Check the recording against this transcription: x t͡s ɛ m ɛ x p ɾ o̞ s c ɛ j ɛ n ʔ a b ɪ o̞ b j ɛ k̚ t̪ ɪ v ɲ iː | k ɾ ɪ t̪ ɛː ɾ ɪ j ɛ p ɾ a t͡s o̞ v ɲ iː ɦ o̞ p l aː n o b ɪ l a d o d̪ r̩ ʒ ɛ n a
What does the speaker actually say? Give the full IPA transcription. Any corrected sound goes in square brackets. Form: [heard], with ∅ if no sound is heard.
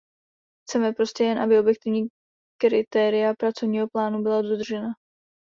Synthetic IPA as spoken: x t͡s ɛ m ɛ [∅] p ɾ o̞ s c ɛ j ɛ n ʔ a b ɪ o̞ b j ɛ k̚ t̪ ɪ v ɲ iː | k ɾ ɪ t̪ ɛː ɾ ɪ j [a] p ɾ a t͡s o̞ v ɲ iː ɦ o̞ p l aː n [u] b ɪ l a d o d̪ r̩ ʒ ɛ n a